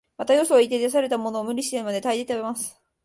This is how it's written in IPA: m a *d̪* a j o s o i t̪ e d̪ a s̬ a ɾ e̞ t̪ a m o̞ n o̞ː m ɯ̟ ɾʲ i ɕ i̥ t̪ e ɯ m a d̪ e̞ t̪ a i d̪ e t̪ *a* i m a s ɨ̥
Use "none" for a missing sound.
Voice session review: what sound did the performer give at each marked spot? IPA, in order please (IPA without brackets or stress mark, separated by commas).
t̪, e